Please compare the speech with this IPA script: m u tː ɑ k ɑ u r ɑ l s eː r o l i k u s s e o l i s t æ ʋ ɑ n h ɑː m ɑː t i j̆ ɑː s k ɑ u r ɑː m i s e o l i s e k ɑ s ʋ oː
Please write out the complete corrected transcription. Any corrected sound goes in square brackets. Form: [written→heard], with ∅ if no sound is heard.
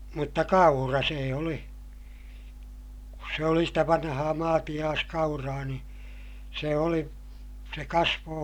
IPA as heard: m u tː ɑ k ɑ u r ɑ [l→∅] s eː [r→∅] o l i k u s s e o l i s t æ ʋ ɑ n h ɑː m ɑː t i j̆ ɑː s k ɑ u r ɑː [m→n] i s e o l i s e k ɑ s ʋ oː